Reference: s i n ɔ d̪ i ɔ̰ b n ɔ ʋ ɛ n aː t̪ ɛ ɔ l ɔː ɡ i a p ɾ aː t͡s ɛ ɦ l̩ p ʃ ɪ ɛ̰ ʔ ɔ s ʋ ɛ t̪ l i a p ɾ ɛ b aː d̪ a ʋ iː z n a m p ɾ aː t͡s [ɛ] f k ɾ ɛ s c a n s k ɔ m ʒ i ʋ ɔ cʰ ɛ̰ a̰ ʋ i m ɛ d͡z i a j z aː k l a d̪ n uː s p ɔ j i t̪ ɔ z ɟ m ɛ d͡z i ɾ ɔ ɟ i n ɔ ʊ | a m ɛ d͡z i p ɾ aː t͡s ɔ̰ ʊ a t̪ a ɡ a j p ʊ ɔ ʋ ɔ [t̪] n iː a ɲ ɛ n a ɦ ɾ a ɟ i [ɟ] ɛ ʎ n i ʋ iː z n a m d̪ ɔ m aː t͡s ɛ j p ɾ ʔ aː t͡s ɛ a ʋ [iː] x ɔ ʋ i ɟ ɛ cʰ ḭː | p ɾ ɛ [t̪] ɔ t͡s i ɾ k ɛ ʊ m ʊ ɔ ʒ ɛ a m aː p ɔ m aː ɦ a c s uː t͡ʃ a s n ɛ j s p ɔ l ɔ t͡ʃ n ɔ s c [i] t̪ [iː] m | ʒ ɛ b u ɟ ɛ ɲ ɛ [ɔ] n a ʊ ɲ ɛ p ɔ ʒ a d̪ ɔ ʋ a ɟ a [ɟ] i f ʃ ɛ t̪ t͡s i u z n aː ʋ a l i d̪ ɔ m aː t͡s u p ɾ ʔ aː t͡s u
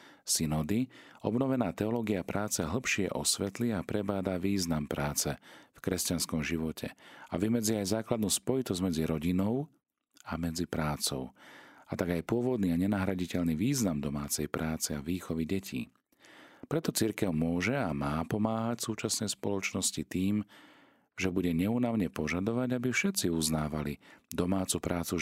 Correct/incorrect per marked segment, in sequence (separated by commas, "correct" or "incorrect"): correct, incorrect, incorrect, correct, correct, correct, correct, incorrect, incorrect